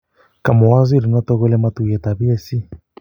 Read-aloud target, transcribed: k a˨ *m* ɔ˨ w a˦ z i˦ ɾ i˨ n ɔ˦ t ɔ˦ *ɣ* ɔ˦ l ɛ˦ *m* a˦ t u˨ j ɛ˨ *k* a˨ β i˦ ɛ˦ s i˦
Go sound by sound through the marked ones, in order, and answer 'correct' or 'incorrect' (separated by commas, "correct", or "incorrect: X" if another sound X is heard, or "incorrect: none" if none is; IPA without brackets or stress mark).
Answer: correct, correct, correct, incorrect: t